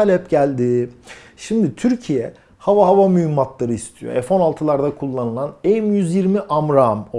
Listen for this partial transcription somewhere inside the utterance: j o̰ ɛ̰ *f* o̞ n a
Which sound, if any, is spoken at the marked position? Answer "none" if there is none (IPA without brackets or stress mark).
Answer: f